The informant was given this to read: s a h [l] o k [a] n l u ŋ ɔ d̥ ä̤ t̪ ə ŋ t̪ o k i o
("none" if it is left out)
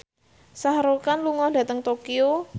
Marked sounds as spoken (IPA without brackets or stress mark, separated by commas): ɾ, a